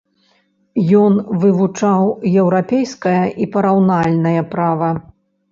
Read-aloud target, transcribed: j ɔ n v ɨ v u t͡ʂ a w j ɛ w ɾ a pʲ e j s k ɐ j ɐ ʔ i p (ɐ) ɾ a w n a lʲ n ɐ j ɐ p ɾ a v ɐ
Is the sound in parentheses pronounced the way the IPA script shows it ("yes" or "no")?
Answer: yes